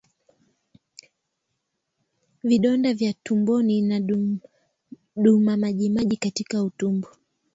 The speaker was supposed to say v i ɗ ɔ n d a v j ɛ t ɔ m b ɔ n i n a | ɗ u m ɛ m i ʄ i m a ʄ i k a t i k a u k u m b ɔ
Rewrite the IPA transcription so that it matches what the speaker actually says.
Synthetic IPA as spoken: v i ɗ ɔ n d a v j a t u m b ɔ n i n a | ɗ u m a m a ʄ i m a ʄ i k a t i k a u t u m b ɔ

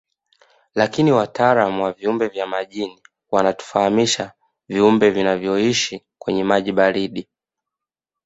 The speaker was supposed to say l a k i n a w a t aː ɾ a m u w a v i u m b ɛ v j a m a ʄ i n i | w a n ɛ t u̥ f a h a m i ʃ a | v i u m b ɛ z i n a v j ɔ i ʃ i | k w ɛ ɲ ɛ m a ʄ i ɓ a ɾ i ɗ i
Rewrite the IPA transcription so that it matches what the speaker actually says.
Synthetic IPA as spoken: l a k i n i w a t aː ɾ a m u w a v i u m b ɛ v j a m a ʄ i n i | w a n a t u̥ f a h a m i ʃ a | v i u m b ɛ v i n a v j ɔ i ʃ i | k w ɛ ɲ ɛ m a ʄ i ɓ a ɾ i ɗ i

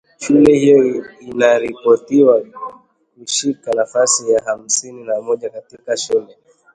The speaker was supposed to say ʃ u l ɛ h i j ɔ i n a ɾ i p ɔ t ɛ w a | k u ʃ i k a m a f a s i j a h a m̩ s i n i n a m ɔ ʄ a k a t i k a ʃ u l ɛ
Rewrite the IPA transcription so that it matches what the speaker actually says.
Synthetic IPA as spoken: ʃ u l ɛ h i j ɔ i n a ɾ i p ɔ t i w a | k u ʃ i k a n a f a s i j a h a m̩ s i n i n a m ɔ ʄ a k a t i k a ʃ u l ɛ

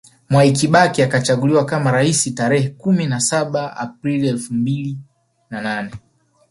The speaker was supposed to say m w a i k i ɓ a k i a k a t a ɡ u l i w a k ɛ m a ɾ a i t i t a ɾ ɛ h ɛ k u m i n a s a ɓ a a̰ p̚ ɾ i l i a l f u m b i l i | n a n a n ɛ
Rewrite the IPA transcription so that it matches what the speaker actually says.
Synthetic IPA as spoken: m w a i k i ɓ a k i a k a t͡ʃ a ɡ u l i w a k a m a ɾ a i s i t a ɾ ɛ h ɛ k u m i n a s a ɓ a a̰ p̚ ɾ i l i ɛ l f u m b i l i | n a n a n ɛ

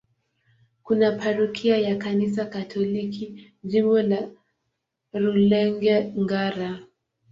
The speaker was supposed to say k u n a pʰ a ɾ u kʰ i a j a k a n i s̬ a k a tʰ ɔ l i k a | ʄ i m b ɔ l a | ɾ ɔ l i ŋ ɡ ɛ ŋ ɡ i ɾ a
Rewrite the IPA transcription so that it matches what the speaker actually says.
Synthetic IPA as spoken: k u n a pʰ a ɾ u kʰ i a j a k a n i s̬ a k a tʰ ɔ l i k i | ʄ i m b ɔ l a | ɾ u l ɛ ŋ ɡ ɛ ŋ ɡ a ɾ a

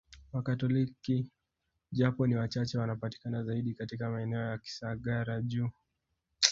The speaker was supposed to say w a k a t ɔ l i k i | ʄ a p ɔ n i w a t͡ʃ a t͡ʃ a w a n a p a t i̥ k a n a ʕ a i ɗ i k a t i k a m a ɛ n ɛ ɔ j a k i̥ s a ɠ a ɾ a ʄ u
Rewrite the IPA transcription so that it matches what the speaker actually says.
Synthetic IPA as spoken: w a k a t ɔ l i k i | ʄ a p ɔ n i w a t͡ʃ a t͡ʃ ɛ w a n a p a t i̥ k a n a z a i ɗ i k a t i k a m a ɛ n ɛ ɔ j a k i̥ s a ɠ a ɾ a ʄ u

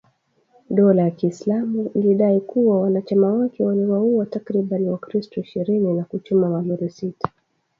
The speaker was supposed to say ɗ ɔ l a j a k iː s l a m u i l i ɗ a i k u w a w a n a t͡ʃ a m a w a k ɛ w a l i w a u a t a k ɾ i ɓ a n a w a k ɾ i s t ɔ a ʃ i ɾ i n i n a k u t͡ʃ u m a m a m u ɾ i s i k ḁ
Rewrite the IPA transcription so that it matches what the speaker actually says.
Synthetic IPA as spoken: ɗ ɔ l a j a k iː s l a m u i l i ɗ a i k u w a w a n a t͡ʃ a m a w a k ɛ w a l i w a u a t a k ɾ i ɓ a n i w a k ɾ i s t ɔ i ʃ i ɾ i n i n a k u t͡ʃ u m a m a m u ɾ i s i t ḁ

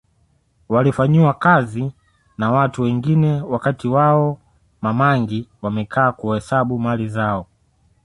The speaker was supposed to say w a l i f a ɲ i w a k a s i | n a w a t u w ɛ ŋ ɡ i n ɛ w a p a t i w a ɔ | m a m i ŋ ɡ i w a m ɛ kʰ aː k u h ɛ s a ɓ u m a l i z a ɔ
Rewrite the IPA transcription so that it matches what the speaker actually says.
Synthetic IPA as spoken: w a l i f a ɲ i w a k a z i | n a w a t u w ɛ ŋ ɡ i n ɛ w a k a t i w a ɔ | m a m a ŋ ɡ i w a m ɛ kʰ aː k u h ɛ s a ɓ u m a l i z a ɔ

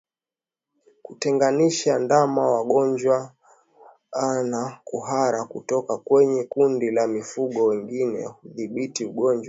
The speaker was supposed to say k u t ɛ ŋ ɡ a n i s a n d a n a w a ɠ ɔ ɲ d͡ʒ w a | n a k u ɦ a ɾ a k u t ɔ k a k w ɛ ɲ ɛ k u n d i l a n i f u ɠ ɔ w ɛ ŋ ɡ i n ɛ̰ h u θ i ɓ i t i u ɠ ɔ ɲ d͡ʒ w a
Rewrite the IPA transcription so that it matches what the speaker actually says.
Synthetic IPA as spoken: k u t ɛ ŋ ɡ a n i ʃ a n d a m a w a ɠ ɔ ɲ d͡ʒ w a | n a k u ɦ a ɾ a k u t ɔ k a k w ɛ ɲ ɛ k u n d i l a m i f u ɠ ɔ w ɛ ŋ ɡ i n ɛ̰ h u ð i ɓ i t i u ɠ ɔ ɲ d͡ʒ w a

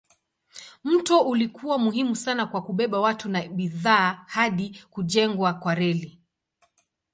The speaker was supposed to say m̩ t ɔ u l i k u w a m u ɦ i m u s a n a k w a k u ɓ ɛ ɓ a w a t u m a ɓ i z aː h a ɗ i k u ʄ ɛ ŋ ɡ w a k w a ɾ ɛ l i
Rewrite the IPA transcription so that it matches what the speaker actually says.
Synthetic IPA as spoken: m̩ t ɔ u l i k u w a m u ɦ i m u s a n a k w a k u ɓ ɛ ɓ a w a t u n a ɓ i ð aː h a ɗ i k u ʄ ɛ ŋ ɡ w a k w a ɾ ɛ l i

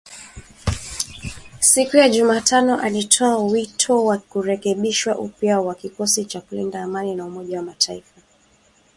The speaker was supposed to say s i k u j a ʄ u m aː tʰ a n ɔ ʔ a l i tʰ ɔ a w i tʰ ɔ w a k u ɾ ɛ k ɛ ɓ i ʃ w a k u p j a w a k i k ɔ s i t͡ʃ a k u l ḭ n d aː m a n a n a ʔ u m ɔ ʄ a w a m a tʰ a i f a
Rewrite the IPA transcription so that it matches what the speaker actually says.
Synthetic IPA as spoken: s i k u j a ʄ u m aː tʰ a n ɔ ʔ a l i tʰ ɔ a w i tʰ ɔ w a k u ɾ ɛ k ɛ ɓ i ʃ w a ʔ u p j a w a k i k ɔ s i t͡ʃ a k u l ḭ n d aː m a n i n a u m ɔ ʄ a w a m a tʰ a i f a

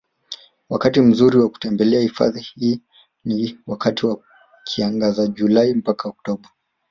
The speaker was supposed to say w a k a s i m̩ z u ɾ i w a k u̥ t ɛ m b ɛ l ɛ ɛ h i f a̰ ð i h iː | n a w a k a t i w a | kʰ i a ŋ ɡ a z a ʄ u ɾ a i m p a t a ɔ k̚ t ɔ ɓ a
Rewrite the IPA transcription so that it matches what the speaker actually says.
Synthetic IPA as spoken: w a k a t i m̩ z u ɾ i w a k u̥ t ɛ m b ɛ l ɛ a h i f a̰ ð i h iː | n i w a k a t i w a | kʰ i a ŋ ɡ a z a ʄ u l a i m p a k a ɔ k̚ t ɔ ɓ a

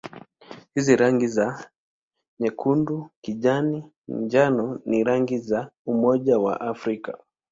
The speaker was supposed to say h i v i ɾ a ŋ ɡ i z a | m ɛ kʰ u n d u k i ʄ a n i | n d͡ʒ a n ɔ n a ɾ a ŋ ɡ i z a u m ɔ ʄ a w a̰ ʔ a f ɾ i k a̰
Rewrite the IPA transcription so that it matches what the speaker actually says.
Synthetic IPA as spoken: h i z i ɾ a ŋ ɡ i z a | ɲ ɛ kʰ u n d u k i ʄ a n i | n d͡ʒ a n ɔ n i ɾ a ŋ ɡ i z a u m ɔ ʄ a w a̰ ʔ a f ɾ i k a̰

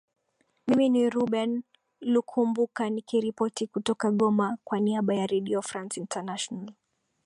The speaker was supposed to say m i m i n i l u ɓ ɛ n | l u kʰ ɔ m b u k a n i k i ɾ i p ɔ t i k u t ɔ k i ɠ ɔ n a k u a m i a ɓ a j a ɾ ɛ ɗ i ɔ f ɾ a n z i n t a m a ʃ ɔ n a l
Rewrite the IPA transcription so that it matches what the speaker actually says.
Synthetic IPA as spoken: m i m i n i ɾ u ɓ ɛ n | l u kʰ u m b u k a n i k i ɾ i p ɔ t i k u t ɔ k a ɠ ɔ m a k w a n i a ɓ a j a ɾ ɛ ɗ i ɔ f ɾ a n s i n t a n a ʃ ɔ n a l

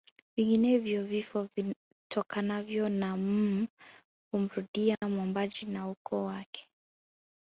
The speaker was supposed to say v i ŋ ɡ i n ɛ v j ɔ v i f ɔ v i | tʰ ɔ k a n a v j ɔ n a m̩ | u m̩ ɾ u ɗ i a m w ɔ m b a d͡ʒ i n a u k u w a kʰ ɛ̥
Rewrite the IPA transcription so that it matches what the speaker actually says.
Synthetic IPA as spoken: v i ŋ ɡ i n ɛ v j ɔ v i f ɔ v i | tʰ ɔ k a n a v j ɔ n a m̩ | u m̩ ɾ u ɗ i a m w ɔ m b a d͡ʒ i n a u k ɔ w a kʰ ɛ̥

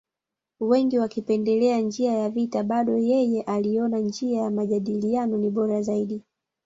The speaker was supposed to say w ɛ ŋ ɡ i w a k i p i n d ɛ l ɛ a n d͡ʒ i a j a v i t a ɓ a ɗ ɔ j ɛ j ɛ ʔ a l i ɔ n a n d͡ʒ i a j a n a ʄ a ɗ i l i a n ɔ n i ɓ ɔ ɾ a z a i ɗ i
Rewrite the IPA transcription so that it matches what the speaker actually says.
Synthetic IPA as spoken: w ɛ ŋ ɡ i w a k i p ɛ n d ɛ l ɛ a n d͡ʒ i a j a v i t a ɓ a ɗ ɔ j ɛ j ɛ ʔ a l i ɔ n a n d͡ʒ i a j a m a ʄ a ɗ i l i a n ɔ n i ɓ ɔ ɾ a z a i ɗ i

